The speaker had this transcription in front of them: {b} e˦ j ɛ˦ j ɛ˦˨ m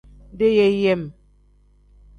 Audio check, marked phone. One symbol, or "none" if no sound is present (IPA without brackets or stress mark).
d